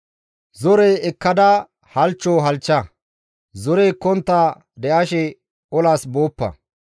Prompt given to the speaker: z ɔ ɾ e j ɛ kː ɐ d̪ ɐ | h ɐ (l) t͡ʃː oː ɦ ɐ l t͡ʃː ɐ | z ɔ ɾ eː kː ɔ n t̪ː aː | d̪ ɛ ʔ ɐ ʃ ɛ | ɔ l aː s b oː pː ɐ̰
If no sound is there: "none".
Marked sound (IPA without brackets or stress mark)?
l